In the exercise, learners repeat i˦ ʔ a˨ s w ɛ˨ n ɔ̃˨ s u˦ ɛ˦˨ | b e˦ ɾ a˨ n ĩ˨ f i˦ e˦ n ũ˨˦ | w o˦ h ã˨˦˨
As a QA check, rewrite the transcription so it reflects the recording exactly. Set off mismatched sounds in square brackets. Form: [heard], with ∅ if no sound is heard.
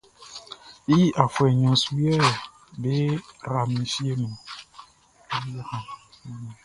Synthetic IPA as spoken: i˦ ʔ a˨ [f] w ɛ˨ [ɲ] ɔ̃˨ s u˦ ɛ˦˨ | b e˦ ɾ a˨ [m] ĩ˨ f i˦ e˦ n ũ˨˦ | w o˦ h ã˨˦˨

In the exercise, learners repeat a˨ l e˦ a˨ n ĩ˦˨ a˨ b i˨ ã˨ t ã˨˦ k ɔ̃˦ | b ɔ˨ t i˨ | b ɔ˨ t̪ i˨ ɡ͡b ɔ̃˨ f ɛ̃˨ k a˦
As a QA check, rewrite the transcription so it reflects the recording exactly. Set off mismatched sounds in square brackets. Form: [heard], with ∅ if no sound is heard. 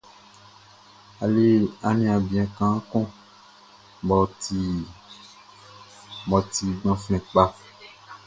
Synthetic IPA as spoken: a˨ l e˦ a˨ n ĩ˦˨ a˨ b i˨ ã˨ [k] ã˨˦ k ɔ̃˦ | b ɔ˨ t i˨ | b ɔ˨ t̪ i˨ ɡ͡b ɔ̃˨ f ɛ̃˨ [k͡p] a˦

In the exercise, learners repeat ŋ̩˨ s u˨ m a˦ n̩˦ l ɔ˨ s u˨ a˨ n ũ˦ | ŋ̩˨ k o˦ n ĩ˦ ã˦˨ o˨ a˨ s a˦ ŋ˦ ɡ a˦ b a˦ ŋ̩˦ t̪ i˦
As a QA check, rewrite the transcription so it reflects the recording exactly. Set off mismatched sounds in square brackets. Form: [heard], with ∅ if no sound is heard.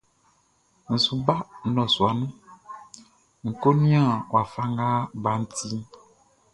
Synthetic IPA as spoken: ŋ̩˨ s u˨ [b] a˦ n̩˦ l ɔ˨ s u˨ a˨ n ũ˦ | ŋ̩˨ k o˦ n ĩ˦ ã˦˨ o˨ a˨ [f] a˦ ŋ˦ ɡ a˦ b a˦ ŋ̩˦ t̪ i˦

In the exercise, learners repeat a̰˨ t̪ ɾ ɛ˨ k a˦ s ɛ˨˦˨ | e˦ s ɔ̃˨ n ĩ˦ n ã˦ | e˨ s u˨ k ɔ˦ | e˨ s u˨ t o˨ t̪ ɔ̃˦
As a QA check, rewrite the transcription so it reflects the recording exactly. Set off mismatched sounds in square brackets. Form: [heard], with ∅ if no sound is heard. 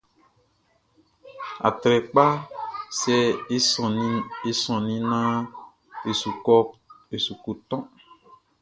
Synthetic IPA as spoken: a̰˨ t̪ ɾ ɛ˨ [k͡p] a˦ s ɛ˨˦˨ | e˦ s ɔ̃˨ n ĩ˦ n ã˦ | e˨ s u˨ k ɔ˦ | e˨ s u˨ [k] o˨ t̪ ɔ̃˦

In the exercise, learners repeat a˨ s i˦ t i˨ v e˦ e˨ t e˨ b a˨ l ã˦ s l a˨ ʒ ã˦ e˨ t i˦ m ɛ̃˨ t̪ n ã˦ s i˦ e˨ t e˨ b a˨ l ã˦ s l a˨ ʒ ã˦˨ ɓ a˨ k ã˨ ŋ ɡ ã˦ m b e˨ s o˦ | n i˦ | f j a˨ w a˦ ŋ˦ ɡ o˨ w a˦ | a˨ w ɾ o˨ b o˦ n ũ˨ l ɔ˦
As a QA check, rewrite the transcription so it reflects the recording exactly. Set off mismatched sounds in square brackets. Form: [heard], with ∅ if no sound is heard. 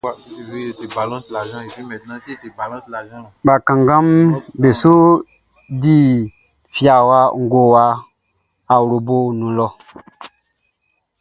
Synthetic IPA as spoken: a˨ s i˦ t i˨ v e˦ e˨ t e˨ b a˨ l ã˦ s l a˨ ʒ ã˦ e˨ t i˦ m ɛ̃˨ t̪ n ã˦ s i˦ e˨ t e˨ b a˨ l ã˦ s l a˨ ʒ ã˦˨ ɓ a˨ k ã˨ ŋ ɡ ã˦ m b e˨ s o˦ | [d] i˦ | f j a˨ w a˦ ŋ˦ ɡ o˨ w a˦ | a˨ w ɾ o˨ b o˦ n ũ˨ l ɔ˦

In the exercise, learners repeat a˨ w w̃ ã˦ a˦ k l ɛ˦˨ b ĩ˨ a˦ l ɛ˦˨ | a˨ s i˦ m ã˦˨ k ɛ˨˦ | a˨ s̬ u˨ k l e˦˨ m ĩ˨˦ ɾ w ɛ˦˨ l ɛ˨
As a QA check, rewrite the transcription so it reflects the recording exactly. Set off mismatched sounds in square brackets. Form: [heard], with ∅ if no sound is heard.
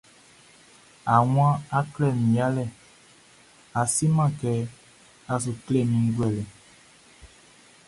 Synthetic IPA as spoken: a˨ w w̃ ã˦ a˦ k l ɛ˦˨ [m] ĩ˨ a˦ l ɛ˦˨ | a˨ s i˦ m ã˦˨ k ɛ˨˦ | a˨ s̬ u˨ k l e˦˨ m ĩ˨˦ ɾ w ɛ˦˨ l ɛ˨

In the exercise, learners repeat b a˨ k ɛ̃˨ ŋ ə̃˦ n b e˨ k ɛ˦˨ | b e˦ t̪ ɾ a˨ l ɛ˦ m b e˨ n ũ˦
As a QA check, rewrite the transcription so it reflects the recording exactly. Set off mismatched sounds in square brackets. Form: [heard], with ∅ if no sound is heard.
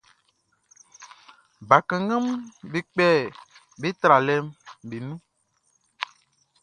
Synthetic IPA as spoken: b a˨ k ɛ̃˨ ŋ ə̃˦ [m] b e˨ [k͡p] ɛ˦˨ | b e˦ t̪ ɾ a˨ l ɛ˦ m b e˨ n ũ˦

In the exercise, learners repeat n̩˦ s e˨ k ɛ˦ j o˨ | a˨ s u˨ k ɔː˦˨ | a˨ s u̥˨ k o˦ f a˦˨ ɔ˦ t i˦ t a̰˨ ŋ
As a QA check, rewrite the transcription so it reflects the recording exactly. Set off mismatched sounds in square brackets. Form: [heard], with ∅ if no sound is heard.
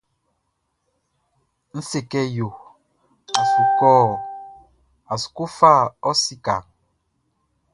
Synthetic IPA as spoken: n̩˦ s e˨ k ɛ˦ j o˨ | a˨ s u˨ k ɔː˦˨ | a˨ s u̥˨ k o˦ f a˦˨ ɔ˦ [s] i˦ [k] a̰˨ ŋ

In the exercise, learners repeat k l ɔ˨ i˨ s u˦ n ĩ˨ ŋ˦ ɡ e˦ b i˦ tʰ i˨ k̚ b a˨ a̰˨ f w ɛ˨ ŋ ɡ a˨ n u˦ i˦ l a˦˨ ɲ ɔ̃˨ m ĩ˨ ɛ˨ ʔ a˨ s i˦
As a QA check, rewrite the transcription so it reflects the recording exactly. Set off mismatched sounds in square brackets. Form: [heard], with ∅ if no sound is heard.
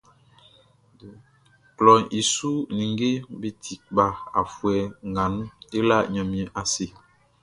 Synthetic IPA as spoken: k l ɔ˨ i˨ s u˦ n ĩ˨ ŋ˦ ɡ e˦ b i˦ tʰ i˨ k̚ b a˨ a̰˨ f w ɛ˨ ŋ ɡ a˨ n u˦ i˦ l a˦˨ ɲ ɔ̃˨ m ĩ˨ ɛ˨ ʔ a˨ s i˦

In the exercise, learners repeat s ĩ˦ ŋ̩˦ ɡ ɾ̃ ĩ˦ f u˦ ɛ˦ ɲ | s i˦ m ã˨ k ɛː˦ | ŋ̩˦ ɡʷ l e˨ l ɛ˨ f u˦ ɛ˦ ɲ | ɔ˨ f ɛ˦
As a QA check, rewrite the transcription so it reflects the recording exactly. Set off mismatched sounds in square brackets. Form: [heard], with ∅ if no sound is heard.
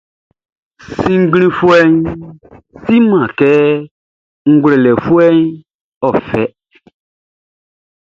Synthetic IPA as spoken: s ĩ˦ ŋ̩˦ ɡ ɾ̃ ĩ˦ f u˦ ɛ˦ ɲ | s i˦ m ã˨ k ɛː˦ | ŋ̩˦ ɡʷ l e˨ l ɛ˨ f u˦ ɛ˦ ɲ | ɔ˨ f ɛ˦

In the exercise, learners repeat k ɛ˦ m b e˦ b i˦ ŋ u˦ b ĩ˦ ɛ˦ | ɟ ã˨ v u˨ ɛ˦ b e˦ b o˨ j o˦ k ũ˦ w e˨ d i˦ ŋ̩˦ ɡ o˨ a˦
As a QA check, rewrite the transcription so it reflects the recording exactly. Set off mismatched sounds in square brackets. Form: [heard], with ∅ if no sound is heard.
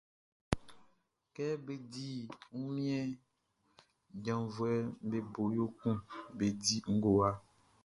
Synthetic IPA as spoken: k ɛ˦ [∅] b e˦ [d] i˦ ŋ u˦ [m] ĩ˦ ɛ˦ | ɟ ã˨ v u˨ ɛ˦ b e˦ b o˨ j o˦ k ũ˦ [b] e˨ d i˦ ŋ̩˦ ɡ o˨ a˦

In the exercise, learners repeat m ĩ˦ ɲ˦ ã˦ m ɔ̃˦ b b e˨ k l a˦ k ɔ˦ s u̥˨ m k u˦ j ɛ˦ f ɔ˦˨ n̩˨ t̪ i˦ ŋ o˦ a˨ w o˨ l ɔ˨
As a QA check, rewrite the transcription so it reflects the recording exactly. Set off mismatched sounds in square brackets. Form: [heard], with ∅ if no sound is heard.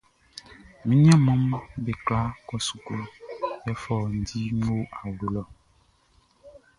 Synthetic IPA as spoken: m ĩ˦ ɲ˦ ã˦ m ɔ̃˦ [m] b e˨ k l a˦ k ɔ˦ s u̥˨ [∅] k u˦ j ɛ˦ f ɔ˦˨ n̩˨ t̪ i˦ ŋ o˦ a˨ w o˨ l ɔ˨

